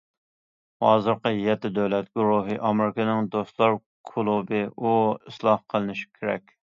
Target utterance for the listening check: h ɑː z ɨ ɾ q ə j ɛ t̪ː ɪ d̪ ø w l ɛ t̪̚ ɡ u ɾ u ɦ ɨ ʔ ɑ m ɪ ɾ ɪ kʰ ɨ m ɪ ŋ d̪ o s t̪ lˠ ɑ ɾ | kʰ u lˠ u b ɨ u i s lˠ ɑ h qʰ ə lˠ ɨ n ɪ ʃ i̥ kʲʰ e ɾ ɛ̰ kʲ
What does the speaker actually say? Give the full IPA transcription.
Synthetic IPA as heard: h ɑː z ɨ ɾ q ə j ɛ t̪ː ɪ d̪ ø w l ɛ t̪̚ ɡ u ɾ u ɦ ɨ ʔ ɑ m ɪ ɾ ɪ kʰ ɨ n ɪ ŋ d̪ o s t̪ lˠ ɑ ɾ | kʰ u lˠ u b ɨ u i s lˠ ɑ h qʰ ə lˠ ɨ n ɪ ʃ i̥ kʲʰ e ɾ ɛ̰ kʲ